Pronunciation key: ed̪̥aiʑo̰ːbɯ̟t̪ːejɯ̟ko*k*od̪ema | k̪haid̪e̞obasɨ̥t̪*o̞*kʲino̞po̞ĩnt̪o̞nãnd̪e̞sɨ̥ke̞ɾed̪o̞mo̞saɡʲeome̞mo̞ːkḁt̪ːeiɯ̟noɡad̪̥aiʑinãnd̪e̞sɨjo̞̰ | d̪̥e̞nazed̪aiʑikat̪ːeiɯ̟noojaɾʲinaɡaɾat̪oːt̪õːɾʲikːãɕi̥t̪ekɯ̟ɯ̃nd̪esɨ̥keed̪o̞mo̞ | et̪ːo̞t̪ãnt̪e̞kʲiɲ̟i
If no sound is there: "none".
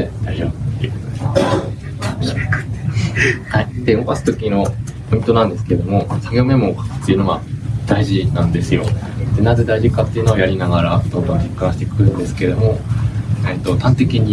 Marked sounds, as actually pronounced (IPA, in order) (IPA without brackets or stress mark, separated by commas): t, o̞